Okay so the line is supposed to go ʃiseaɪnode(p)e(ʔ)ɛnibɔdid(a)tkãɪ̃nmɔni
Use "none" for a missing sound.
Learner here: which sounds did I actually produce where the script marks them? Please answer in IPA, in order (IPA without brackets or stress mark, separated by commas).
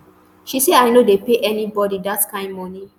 p, ʔ, a